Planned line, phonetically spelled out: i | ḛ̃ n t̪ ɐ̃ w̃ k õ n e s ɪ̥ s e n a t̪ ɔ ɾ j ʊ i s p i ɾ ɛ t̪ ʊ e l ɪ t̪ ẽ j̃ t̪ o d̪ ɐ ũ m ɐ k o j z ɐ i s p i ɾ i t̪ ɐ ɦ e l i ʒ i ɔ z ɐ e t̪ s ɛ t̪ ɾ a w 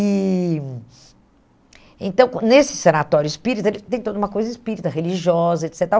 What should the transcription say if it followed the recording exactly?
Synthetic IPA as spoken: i | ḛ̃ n t̪ ɐ̃ w̃ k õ n e s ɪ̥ s e n a t̪ ɔ ɾ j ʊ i s p i ɾ i t̪ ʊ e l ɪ t̪ ẽ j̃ t̪ o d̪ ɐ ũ m ɐ k o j z ɐ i s p i ɾ i t̪ ɐ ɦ e l i ʒ i ɔ z ɐ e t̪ s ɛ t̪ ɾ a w